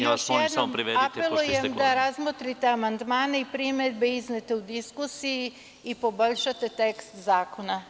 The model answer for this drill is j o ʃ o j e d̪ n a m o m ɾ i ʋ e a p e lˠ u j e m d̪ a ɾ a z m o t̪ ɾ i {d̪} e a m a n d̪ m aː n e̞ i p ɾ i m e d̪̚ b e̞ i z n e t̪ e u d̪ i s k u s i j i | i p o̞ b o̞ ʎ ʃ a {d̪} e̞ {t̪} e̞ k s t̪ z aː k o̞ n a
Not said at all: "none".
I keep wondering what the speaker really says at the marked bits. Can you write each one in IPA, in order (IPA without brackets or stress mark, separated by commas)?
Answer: t̪, t̪, t̪